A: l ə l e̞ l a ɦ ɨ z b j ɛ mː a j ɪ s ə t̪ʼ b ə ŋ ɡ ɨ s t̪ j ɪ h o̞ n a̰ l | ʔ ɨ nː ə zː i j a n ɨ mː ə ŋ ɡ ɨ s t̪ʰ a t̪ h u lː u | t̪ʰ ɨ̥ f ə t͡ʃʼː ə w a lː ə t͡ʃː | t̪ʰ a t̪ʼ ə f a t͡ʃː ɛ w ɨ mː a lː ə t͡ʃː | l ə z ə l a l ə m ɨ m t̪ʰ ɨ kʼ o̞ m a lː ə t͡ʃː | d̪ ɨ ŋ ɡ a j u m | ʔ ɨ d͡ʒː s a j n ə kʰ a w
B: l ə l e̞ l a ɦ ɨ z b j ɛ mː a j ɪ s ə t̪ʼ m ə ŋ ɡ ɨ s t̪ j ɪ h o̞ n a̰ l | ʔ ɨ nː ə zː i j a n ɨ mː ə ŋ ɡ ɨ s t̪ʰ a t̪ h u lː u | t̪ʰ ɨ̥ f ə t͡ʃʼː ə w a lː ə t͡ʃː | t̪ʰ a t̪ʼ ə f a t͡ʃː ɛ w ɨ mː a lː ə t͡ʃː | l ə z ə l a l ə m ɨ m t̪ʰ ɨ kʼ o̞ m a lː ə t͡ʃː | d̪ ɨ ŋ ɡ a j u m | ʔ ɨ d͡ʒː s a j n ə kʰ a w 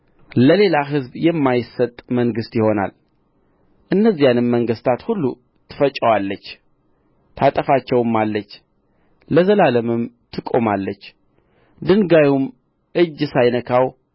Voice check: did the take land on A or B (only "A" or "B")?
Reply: B